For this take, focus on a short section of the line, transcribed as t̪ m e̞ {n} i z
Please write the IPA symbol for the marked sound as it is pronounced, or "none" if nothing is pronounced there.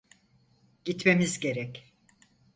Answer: m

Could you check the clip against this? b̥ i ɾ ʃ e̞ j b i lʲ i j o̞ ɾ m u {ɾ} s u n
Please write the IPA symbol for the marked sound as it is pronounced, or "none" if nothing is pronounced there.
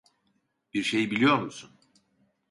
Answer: none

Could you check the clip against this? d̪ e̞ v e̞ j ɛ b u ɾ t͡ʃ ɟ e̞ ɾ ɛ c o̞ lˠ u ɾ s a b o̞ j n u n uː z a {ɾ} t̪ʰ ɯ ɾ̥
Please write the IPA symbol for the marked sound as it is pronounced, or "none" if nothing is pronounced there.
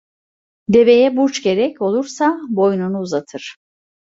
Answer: none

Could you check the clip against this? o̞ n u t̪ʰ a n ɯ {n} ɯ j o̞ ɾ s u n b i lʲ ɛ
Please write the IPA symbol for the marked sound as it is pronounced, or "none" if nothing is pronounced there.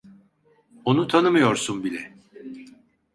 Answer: m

